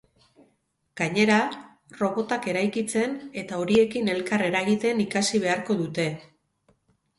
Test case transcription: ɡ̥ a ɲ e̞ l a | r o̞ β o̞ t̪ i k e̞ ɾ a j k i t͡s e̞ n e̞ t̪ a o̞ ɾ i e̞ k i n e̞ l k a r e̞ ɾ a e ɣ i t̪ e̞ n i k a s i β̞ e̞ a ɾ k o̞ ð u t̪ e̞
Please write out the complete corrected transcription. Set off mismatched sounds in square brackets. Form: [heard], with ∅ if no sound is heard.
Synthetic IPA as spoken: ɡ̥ a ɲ e̞ [ɾ] a | r o̞ β o̞ t̪ [a] k e̞ ɾ a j k i t͡s e̞ n e̞ t̪ a o̞ ɾ i e̞ k i n e̞ l k a r e̞ ɾ a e ɣ i t̪ e̞ n i k a s i β̞ e̞ a ɾ k o̞ ð u t̪ e̞